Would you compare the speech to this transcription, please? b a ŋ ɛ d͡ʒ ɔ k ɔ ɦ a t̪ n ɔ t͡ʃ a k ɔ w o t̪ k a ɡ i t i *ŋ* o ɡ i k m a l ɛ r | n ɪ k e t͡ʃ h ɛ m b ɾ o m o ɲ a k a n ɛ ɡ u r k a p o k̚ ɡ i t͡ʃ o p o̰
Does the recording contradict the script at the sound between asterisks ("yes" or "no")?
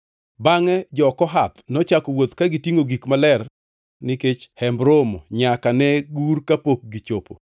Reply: no